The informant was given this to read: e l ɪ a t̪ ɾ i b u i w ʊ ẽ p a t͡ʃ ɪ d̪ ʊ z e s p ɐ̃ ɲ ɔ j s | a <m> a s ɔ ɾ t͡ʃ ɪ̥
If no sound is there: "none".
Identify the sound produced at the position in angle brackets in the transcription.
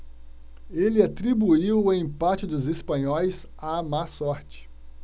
m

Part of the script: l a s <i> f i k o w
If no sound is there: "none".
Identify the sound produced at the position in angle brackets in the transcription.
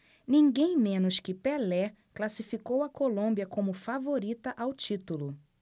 i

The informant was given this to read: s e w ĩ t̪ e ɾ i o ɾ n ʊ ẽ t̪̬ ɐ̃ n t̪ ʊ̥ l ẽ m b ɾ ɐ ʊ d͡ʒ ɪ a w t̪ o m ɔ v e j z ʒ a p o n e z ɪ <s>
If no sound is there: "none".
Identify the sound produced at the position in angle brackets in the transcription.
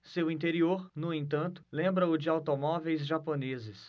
s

